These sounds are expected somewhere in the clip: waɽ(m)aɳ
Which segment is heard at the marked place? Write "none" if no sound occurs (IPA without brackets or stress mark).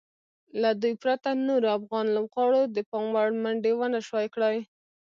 m